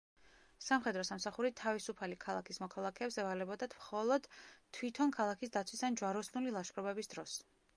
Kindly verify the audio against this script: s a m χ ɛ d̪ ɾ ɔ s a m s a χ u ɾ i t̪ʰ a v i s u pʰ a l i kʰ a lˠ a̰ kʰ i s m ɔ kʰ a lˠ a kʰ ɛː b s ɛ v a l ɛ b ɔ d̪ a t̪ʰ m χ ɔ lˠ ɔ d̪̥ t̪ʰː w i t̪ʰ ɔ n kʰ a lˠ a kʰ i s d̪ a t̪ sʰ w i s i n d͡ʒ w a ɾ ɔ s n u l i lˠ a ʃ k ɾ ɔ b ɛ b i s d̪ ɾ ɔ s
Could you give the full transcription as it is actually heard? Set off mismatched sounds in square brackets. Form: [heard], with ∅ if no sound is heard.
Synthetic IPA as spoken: s a m χ ɛ d̪ ɾ ɔ s a m s a χ u ɾ i t̪ʰ a v i s u pʰ a l i kʰ a lˠ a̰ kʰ i s m ɔ kʰ a lˠ a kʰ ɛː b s ɛ v a l ɛ b ɔ d̪ a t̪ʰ m χ ɔ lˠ ɔ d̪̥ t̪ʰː w i t̪ʰ ɔ n kʰ a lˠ a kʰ i s d̪ a t̪ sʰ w i s [a] n d͡ʒ w a ɾ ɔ s n u l i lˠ a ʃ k ɾ ɔ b ɛ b i s d̪ ɾ ɔ s